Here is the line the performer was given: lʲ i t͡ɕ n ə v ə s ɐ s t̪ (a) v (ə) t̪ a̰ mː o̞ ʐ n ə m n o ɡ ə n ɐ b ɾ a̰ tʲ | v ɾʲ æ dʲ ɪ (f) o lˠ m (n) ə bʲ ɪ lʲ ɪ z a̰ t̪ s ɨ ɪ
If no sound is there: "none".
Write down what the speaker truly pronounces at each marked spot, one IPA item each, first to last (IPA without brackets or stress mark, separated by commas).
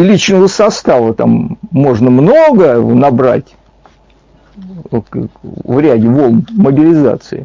a, ə, v, m